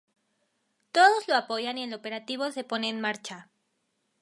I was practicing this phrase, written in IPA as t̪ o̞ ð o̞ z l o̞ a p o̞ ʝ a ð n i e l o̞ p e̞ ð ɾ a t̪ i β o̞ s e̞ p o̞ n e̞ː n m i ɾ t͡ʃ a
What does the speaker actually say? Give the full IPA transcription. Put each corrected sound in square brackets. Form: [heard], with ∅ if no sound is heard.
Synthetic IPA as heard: t̪ o̞ ð o̞ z l o̞ a p o̞ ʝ a [∅] n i e l o̞ p e̞ [∅] ɾ a t̪ i β o̞ s e̞ p o̞ n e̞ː n m [a] ɾ t͡ʃ a